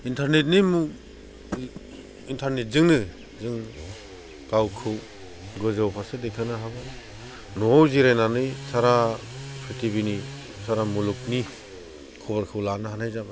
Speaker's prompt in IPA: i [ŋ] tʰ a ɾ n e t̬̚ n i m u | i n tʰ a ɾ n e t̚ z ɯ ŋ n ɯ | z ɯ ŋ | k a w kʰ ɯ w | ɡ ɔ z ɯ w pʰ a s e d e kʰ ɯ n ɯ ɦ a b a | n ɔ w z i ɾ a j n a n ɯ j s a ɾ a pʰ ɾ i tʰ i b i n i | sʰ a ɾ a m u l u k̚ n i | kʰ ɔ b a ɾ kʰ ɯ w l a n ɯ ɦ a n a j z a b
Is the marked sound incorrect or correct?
incorrect